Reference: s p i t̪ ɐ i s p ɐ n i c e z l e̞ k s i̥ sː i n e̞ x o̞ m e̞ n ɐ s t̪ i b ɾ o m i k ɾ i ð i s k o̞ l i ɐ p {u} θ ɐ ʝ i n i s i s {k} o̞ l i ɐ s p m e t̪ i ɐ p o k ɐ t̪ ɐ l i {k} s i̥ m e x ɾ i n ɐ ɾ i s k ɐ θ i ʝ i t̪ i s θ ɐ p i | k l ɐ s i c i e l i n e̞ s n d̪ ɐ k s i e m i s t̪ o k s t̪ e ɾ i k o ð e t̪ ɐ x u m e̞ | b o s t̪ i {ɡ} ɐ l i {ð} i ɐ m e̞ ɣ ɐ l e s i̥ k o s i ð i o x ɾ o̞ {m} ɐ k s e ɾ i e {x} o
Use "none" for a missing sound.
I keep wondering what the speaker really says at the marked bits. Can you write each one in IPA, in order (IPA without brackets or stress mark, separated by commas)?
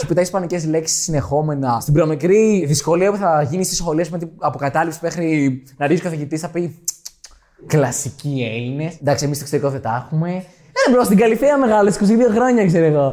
u, x, p, ɡ, θ, ɲ, ɣ